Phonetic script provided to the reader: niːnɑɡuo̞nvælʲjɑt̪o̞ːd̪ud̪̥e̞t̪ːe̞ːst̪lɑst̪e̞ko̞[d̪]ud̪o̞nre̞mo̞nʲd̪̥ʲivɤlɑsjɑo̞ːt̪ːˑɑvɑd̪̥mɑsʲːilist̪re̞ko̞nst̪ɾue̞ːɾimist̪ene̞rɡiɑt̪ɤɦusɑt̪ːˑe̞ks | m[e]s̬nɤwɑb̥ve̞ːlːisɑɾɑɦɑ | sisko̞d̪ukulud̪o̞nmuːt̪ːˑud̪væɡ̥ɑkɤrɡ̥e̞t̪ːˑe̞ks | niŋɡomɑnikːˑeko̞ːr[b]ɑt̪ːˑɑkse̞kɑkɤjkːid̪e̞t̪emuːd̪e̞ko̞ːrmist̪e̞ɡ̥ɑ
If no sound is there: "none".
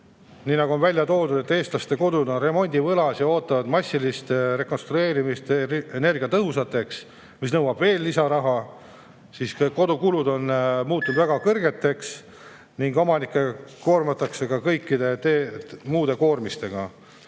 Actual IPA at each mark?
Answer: d̪, i, m

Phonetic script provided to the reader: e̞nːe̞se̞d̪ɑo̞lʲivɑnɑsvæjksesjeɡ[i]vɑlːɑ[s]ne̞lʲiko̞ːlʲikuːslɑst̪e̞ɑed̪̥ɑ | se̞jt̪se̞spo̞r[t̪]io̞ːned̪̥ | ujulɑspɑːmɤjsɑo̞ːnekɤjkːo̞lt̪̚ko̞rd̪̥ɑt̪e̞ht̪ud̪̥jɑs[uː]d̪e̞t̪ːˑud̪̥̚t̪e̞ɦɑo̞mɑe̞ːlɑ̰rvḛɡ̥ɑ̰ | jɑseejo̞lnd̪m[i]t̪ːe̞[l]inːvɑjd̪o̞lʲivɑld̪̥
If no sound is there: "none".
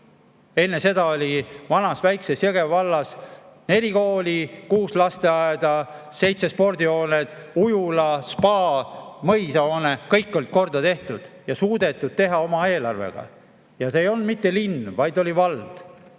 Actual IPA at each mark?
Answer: e, s, d̪, uː, i, l

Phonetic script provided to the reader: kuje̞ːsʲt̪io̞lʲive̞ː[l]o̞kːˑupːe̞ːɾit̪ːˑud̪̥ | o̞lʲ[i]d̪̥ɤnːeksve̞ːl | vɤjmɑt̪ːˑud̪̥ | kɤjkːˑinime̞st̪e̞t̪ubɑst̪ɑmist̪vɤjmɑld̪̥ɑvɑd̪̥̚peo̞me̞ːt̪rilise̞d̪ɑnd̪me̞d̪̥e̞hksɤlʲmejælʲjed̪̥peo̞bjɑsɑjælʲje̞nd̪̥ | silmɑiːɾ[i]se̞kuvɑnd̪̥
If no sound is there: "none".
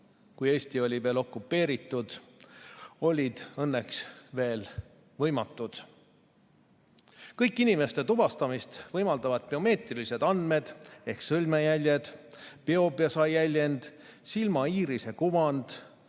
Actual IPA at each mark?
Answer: l, i, i

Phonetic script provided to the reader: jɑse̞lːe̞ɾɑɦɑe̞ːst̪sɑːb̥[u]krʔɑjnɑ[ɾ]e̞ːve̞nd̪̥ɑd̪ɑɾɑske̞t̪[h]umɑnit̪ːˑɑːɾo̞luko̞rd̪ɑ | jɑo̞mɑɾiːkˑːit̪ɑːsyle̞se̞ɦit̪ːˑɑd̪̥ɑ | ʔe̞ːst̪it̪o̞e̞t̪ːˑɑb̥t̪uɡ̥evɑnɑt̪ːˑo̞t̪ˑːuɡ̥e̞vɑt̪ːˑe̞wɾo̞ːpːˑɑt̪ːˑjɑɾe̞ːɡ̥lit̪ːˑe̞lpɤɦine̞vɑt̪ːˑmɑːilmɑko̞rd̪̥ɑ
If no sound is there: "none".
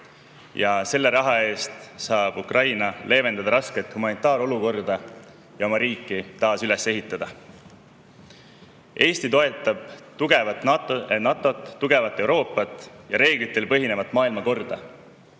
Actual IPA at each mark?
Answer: u, l, h

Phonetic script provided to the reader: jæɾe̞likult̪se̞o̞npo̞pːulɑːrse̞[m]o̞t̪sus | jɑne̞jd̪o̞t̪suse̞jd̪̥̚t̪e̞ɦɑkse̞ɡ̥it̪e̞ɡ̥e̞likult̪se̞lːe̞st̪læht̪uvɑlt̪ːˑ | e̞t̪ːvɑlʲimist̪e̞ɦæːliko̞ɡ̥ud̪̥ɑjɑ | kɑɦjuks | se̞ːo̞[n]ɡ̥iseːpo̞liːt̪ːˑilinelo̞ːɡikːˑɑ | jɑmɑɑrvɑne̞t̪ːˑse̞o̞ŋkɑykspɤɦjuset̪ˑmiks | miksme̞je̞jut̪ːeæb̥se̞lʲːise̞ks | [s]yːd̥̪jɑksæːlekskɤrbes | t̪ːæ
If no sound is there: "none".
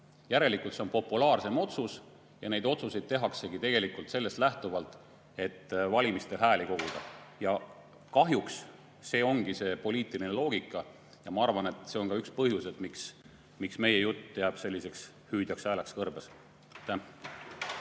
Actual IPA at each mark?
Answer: m, ŋ, h

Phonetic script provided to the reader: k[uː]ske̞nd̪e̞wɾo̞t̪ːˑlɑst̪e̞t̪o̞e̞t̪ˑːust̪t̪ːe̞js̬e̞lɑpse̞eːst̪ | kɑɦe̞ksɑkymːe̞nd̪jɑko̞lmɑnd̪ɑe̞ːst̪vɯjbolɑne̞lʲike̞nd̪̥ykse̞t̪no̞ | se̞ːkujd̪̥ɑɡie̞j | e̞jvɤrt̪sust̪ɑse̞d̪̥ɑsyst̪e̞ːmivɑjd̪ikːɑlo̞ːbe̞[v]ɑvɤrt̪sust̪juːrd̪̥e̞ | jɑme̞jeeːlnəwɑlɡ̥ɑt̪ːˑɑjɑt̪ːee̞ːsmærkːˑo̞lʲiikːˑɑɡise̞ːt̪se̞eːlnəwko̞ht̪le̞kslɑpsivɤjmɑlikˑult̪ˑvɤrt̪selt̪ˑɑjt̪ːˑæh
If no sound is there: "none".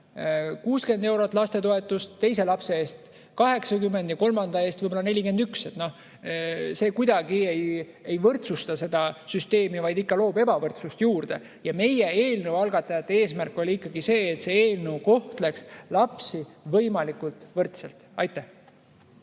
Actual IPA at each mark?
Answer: uː, b

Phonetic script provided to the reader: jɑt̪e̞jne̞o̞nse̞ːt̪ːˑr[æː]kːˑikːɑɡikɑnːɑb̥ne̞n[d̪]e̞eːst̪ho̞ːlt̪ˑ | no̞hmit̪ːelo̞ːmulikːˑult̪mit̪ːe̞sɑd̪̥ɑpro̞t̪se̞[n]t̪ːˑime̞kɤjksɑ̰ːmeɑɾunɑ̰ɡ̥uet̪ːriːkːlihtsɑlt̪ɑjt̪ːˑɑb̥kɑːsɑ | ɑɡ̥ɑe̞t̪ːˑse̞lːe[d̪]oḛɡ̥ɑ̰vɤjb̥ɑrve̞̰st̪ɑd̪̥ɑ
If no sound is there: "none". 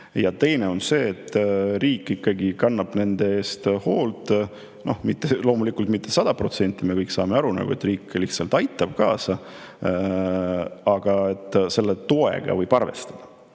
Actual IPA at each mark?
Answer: iː, d̪, n, t̪

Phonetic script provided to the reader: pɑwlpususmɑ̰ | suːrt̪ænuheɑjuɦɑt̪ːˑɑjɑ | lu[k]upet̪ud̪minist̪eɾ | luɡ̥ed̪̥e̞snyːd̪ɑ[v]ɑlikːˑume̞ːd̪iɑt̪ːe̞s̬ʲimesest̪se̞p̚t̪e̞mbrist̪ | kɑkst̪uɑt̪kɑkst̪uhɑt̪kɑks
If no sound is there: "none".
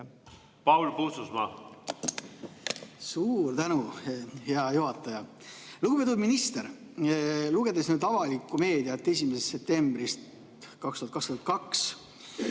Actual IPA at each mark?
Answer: ɡ, v

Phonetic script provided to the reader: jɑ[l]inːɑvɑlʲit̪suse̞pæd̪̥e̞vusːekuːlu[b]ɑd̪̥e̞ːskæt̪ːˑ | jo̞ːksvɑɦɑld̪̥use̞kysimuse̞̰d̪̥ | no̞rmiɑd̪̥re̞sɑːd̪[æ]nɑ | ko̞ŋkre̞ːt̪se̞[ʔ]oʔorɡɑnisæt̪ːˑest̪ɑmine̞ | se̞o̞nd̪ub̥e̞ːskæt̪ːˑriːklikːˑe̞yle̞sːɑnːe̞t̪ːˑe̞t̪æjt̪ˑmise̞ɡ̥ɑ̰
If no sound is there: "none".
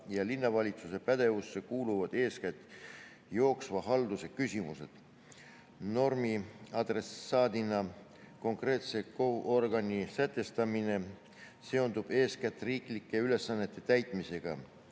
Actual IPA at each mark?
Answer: l, v, i, k

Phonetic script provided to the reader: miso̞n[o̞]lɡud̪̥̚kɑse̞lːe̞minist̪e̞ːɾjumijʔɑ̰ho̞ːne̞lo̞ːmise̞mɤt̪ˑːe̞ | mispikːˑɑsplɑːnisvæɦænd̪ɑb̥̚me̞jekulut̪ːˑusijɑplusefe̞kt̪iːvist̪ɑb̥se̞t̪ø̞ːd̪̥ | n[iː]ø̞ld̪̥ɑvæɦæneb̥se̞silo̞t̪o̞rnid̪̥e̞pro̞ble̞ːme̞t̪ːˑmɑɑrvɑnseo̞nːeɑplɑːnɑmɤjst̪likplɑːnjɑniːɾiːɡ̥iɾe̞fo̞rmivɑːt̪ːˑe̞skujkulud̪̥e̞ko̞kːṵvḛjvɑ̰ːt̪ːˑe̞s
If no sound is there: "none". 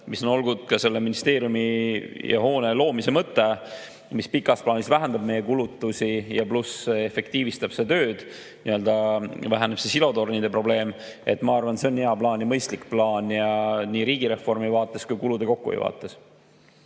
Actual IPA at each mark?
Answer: o̞, i

